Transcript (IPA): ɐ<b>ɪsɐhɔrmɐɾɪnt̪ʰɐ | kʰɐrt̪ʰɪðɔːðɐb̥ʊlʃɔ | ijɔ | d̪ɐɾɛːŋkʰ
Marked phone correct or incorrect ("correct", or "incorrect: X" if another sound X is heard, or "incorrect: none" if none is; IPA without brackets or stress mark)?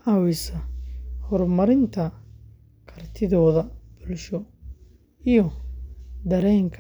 incorrect: w